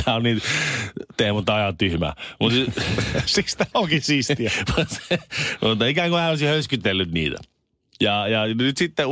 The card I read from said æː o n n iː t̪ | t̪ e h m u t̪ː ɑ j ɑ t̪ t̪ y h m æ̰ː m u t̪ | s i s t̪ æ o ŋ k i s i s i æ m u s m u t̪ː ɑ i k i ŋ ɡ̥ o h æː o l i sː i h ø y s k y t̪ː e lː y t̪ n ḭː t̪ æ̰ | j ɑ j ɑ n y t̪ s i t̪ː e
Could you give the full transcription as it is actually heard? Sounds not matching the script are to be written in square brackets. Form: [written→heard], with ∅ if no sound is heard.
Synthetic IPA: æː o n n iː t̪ | t̪ e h m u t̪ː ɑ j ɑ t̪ t̪ y h m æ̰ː m u t̪ | s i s t̪ æ o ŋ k i s i s i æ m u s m u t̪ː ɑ i k [i→æ] ŋ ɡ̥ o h æː o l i [sː→s] i h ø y s k y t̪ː e lː y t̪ n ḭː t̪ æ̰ | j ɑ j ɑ n y t̪ s i t̪ː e